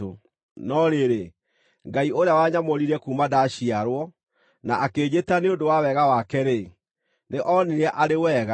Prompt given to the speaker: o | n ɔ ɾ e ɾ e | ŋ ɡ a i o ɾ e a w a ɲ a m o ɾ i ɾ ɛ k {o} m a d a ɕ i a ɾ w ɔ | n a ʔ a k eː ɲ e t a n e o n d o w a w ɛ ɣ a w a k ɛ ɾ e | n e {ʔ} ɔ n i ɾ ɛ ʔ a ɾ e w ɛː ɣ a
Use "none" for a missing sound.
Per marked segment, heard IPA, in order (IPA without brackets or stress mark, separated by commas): u, ʔ